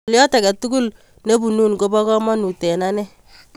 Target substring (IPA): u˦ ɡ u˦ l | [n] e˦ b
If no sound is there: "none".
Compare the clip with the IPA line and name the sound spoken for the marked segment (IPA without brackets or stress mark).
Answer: n